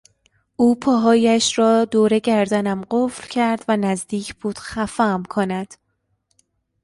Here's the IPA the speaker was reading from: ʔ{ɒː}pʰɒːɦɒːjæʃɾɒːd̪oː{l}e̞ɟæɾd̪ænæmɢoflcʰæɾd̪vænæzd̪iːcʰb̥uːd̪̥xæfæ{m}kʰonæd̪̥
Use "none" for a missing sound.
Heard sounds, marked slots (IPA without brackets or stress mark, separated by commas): uː, ɾ, m